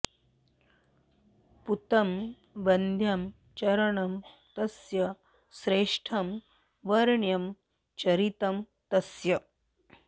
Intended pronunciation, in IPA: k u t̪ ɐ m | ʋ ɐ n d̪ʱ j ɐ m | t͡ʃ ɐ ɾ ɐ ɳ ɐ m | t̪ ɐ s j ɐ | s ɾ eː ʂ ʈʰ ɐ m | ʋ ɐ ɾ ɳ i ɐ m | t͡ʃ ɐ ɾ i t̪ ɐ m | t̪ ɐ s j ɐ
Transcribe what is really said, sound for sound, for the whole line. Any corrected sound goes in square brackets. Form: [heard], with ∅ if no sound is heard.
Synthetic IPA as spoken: [p] u t̪ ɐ m | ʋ ɐ n d̪ʱ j ɐ m | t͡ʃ ɐ ɾ ɐ ɳ ɐ m | t̪ ɐ s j ɐ | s ɾ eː ʂ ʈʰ ɐ m | ʋ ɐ ɾ ɳ [j] ɐ m | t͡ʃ ɐ ɾ i t̪ ɐ m | t̪ ɐ s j ɐ